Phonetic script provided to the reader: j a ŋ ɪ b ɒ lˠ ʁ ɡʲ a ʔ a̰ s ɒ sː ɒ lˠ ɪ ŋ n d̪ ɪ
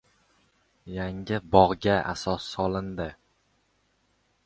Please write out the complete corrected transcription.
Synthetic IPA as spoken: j a ŋ ɪ b ɒ ʁ ɡʲ a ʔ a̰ s ɒ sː ɒ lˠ ɪ n d̪ ɪ